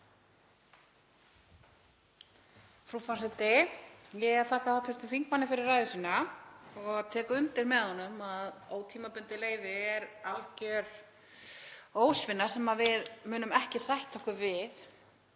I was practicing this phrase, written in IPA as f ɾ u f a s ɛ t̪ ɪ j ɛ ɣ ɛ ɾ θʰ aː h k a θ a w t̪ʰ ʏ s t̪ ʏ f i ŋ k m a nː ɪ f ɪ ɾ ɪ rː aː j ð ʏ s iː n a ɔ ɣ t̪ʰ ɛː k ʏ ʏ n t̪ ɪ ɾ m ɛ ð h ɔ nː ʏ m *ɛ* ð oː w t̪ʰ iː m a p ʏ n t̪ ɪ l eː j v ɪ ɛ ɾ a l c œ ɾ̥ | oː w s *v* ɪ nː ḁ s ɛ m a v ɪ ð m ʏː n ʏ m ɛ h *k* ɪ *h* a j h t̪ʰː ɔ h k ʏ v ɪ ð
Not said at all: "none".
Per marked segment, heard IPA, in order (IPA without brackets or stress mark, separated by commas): a, v, c, s